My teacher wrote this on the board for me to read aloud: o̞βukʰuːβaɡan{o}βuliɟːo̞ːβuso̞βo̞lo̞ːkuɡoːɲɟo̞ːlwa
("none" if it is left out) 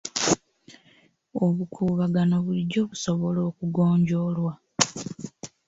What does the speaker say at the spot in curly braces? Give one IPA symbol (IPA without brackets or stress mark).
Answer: o